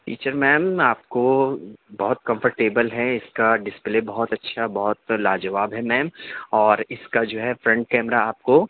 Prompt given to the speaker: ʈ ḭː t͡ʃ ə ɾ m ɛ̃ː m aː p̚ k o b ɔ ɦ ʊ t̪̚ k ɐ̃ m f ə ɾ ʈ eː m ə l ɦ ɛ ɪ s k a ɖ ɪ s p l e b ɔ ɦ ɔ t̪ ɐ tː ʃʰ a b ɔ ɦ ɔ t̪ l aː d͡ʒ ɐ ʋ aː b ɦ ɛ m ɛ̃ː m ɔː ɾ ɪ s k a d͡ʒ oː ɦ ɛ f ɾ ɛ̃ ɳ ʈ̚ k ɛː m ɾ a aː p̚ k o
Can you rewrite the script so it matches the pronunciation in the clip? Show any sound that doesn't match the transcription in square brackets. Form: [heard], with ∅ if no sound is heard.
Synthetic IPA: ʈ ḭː t͡ʃ ə ɾ m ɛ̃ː m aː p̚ k o b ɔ ɦ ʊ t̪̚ k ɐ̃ m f ə ɾ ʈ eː [b] ə l ɦ ɛ ɪ s k a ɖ ɪ s p l e b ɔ ɦ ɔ t̪ ɐ tː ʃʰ a b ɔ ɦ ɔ t̪ l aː d͡ʒ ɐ ʋ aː b ɦ ɛ m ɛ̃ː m ɔː ɾ ɪ s k a d͡ʒ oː ɦ ɛ f ɾ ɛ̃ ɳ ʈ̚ k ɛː m ɾ a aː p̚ k o